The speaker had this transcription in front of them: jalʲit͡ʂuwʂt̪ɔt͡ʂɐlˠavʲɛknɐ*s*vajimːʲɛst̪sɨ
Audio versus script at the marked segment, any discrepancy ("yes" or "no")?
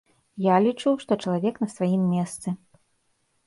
no